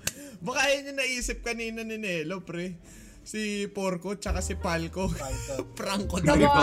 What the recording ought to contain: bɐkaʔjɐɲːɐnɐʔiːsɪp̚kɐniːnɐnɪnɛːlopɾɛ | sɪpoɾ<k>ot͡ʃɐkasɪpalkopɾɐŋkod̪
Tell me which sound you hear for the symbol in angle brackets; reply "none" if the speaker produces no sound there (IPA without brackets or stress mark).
k